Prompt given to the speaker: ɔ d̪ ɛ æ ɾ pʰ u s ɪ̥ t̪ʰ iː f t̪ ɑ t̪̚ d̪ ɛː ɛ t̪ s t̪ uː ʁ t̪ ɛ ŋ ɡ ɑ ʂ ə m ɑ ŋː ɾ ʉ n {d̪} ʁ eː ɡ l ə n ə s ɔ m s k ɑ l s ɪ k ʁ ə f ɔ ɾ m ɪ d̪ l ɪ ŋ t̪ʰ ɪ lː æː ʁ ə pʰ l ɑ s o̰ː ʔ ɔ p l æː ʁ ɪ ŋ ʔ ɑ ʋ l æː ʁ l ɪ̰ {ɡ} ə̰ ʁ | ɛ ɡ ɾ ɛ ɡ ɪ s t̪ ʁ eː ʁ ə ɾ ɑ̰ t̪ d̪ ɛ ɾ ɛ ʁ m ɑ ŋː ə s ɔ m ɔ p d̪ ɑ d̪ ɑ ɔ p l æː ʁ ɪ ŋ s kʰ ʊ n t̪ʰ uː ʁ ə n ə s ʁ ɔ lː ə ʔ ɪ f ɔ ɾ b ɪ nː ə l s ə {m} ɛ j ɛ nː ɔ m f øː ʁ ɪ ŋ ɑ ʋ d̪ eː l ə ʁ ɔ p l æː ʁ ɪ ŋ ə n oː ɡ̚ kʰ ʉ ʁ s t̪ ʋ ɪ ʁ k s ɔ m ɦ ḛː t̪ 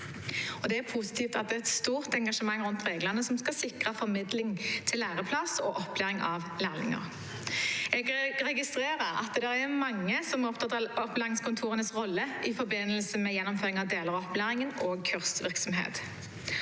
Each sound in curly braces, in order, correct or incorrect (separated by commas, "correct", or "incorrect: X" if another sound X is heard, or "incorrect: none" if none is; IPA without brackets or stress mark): incorrect: t̪, incorrect: ŋ, correct